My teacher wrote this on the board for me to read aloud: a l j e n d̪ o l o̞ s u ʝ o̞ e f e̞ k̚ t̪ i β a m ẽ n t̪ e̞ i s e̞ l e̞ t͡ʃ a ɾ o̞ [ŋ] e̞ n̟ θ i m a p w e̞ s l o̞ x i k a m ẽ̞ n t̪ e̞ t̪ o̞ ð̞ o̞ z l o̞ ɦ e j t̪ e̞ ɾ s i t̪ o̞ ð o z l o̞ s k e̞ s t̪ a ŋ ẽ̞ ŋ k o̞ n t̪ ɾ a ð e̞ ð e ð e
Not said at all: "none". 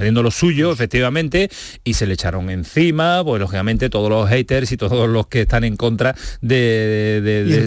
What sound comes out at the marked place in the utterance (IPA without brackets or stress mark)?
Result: ŋ